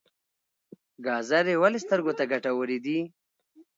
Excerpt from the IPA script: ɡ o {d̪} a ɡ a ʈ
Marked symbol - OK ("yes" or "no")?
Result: no